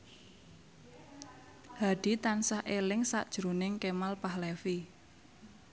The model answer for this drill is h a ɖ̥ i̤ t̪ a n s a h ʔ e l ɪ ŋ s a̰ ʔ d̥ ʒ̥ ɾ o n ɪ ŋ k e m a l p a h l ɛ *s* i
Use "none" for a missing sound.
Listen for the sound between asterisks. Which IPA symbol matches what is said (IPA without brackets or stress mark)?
f